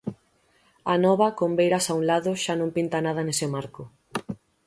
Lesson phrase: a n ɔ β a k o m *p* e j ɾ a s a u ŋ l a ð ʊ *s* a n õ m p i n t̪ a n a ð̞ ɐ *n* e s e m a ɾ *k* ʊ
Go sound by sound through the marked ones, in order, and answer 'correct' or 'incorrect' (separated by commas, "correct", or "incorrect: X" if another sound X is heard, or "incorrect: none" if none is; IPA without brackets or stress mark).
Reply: incorrect: b, incorrect: ʃ, correct, correct